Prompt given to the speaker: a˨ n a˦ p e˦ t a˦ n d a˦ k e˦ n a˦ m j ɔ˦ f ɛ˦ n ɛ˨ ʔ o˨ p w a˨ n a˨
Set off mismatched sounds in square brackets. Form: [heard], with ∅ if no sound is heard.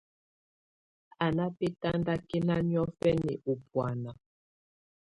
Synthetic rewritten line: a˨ n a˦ p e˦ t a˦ n d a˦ k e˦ n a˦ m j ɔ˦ f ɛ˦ n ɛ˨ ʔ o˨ p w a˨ n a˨